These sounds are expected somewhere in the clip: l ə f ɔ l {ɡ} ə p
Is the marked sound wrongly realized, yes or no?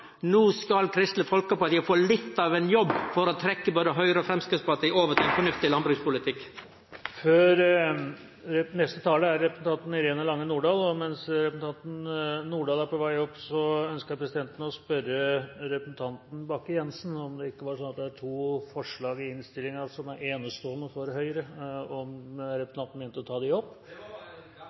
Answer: yes